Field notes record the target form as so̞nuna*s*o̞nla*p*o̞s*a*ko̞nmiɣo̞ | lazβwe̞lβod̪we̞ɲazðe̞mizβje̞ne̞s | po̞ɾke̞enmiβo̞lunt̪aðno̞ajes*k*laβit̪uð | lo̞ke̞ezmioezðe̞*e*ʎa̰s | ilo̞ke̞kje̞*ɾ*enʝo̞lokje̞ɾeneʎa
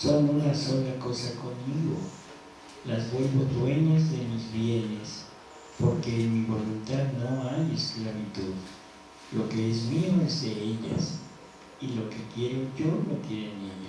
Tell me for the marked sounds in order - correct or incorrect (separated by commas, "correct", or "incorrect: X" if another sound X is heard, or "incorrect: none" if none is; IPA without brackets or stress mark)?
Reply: correct, incorrect: k, correct, correct, correct, correct